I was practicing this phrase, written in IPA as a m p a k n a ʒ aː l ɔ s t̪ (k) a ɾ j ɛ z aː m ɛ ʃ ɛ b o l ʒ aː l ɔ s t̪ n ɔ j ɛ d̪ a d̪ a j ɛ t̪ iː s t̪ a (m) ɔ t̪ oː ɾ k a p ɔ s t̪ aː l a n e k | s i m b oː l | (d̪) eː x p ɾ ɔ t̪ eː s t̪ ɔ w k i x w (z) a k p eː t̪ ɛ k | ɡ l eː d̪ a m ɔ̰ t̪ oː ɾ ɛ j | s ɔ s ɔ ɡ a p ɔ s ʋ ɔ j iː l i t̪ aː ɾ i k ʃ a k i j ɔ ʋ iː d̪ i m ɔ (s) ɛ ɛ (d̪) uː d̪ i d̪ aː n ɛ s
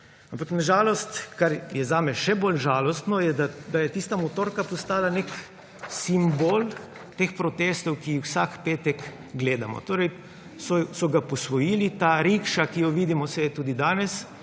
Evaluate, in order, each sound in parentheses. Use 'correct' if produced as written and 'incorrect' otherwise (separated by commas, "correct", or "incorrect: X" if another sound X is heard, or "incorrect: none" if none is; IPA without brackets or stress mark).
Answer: correct, correct, incorrect: t̪, incorrect: s, correct, incorrect: t̪